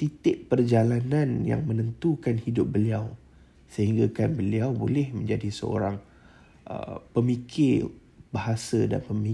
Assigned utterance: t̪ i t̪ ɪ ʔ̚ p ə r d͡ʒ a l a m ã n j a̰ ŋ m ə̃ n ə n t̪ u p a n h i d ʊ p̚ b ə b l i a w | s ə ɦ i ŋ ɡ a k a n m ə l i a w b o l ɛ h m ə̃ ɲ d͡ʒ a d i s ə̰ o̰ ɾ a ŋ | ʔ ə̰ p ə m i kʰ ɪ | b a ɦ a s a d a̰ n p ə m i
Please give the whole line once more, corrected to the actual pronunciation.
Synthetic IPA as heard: t̪ i t̪ ɪ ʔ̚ p ə r d͡ʒ a l a n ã n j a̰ ŋ m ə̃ n ə n t̪ u k a n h i d ʊ p̚ b ə l i a w | s ə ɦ i ŋ ɡ a k a n b ə l i a w b o l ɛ h m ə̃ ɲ d͡ʒ a d i s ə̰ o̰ ɾ a ŋ | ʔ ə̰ p ə m i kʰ ɪ | b a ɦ a s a d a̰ n p ə m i